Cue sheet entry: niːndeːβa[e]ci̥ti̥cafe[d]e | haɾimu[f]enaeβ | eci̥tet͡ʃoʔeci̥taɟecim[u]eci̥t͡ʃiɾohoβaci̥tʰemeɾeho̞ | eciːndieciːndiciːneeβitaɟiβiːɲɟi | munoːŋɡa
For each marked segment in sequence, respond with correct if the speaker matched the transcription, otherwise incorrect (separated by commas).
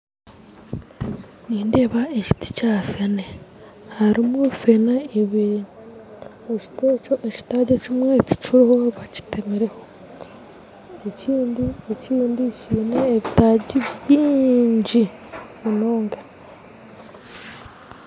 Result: correct, incorrect, correct, incorrect